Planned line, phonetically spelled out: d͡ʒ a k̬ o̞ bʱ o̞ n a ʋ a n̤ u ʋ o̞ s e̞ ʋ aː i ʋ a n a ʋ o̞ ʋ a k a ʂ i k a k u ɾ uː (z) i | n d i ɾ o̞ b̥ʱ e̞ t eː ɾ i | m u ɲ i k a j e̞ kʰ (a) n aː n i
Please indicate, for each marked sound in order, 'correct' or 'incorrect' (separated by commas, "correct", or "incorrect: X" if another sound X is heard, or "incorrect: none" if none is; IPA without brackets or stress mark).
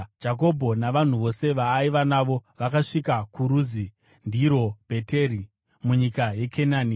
correct, incorrect: e